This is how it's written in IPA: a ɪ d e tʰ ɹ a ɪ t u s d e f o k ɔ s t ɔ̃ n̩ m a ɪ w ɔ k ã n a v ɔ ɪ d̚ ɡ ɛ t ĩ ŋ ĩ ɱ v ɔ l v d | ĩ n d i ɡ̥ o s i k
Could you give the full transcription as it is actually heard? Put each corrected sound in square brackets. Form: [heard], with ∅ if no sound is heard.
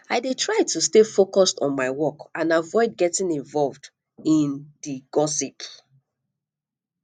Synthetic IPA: a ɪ d e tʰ ɹ a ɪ t u s [t] e f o k ɔ s t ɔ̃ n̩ m a ɪ w ɔ k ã n a v ɔ ɪ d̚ ɡ ɛ t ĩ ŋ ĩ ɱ v ɔ l v d | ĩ n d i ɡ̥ [ɔ] s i [p]